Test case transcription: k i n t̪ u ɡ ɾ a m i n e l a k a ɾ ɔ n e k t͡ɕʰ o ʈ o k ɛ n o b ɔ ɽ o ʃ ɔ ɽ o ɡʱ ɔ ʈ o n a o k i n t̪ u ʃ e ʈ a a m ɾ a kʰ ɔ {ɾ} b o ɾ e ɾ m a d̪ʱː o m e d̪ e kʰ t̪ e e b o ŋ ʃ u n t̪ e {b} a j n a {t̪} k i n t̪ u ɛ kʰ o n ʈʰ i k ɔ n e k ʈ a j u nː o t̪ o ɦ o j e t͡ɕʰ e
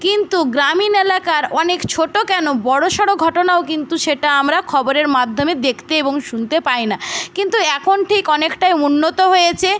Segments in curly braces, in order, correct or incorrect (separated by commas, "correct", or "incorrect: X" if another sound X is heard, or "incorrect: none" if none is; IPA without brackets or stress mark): incorrect: none, incorrect: p, incorrect: none